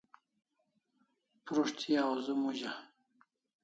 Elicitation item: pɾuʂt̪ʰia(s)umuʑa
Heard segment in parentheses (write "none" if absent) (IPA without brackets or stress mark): z